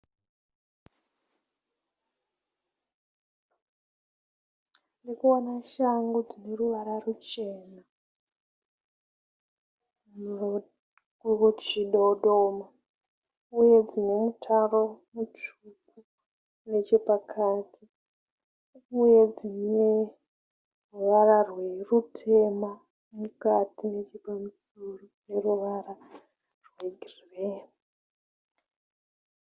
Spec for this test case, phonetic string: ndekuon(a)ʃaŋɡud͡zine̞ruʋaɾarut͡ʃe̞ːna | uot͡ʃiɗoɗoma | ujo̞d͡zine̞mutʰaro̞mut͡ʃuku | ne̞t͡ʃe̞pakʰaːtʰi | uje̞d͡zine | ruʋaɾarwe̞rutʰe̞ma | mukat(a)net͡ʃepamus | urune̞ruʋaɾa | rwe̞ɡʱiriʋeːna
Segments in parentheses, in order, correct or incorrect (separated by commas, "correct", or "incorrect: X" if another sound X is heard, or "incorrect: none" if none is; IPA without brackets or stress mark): correct, incorrect: i